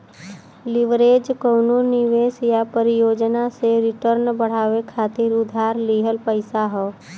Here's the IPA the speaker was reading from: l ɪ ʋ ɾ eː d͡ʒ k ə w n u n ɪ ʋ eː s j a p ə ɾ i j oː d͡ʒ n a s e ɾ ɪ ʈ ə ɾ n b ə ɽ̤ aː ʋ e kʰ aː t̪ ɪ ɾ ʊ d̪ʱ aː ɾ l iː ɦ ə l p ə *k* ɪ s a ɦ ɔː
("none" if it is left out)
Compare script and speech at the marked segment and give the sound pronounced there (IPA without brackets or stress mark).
none